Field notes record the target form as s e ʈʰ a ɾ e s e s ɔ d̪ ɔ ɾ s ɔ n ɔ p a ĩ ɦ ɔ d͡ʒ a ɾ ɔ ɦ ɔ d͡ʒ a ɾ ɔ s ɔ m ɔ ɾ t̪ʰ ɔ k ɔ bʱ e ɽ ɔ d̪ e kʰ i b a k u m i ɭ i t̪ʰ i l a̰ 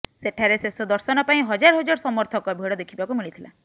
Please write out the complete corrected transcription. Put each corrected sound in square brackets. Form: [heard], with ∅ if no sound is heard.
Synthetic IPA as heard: s e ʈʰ a ɾ e s e s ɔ d̪ ɔ ɾ s ɔ n ɔ p a ĩ ɦ ɔ d͡ʒ a ɾ ɔ ɦ ɔ d͡ʒ a ɾ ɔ s ɔ m ɔ ɾ t̪ʰ ɔ k ɔ bʱ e ɽ ɔ d̪ e kʰ i b a k u m i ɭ i t̪ʰ i l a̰